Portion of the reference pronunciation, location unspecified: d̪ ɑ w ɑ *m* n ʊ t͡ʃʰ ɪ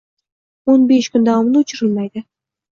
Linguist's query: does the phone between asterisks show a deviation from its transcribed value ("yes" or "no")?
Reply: no